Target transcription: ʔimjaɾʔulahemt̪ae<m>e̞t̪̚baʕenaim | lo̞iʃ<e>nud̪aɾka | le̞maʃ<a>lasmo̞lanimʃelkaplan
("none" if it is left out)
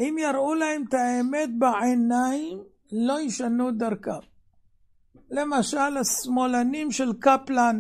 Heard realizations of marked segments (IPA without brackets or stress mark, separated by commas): m, a, a